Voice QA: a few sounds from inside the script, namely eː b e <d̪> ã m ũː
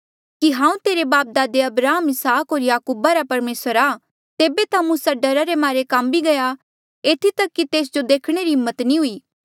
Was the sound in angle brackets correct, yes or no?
no